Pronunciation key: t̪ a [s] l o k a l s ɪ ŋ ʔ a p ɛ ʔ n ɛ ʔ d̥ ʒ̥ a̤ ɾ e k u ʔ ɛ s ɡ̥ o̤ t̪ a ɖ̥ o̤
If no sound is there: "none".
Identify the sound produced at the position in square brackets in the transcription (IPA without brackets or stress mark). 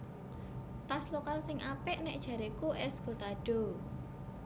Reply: s